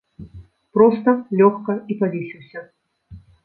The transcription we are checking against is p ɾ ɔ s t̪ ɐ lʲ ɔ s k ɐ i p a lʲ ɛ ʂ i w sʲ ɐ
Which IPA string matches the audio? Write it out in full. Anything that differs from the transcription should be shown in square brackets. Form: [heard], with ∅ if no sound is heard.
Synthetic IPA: p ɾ ɔ s t̪ ɐ lʲ ɔ [x] k ɐ i p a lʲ [i] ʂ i w sʲ ɐ